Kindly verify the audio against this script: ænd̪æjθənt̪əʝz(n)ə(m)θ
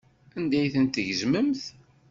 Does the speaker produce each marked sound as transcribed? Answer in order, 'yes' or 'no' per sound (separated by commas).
no, yes